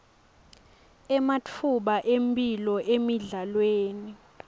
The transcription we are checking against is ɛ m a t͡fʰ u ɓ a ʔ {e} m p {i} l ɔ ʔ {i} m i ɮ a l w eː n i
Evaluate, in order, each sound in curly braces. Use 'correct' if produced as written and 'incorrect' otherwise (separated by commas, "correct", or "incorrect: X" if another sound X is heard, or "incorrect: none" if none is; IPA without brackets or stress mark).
correct, correct, incorrect: e